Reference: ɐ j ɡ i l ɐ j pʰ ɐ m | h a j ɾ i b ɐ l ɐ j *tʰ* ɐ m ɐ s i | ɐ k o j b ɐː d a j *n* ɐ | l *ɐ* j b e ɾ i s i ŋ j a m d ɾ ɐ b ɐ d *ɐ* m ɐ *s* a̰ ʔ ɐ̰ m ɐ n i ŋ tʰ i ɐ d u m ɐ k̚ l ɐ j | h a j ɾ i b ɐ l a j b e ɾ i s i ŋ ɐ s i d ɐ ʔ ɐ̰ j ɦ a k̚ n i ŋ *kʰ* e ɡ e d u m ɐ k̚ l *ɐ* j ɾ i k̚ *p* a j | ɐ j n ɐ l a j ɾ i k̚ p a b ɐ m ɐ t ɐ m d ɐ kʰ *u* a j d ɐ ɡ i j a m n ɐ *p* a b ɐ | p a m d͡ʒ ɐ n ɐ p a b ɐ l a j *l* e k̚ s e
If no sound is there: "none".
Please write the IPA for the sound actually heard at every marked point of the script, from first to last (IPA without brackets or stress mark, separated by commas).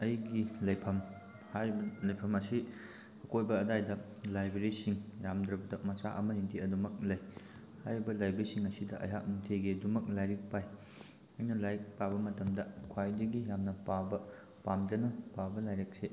pʰ, d, a, ɐ, s, tʰ, a, p, w, p, ɾ